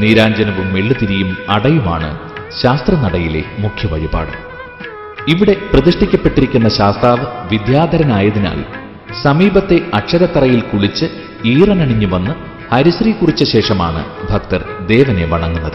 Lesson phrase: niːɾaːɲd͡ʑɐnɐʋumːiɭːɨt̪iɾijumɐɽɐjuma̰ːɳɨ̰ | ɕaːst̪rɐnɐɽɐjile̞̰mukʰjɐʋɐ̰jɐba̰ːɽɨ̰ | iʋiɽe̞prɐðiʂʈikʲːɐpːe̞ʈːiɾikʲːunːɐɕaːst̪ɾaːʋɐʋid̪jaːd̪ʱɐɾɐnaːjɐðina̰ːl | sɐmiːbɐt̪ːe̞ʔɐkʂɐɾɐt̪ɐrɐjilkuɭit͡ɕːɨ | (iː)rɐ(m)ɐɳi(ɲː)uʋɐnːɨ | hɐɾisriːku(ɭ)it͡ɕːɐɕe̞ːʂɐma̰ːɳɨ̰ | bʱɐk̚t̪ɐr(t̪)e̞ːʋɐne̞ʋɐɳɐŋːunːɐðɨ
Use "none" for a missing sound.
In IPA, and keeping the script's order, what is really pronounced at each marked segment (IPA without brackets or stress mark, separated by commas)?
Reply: iː, n, ɲː, r, d̪